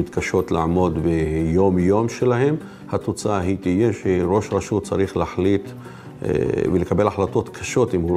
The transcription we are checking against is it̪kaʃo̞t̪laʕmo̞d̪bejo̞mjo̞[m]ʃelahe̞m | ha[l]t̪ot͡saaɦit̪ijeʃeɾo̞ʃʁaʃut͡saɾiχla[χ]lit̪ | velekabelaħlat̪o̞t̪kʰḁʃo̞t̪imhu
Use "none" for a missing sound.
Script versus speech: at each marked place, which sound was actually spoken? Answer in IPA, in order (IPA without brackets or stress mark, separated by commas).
m, none, ħ